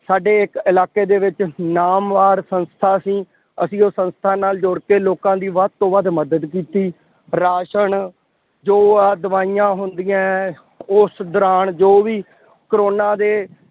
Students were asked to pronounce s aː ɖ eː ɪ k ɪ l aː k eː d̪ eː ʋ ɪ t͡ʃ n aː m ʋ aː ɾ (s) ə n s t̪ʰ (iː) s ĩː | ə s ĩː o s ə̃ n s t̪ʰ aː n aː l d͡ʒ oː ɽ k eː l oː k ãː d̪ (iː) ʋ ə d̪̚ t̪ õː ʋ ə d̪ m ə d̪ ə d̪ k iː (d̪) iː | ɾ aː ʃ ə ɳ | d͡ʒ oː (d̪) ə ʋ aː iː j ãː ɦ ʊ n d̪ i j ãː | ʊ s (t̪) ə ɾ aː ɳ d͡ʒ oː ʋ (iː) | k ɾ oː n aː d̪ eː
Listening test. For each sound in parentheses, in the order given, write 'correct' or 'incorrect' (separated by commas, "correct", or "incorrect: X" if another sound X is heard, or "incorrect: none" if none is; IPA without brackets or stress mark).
correct, incorrect: aː, correct, incorrect: t̪, correct, incorrect: d̪, correct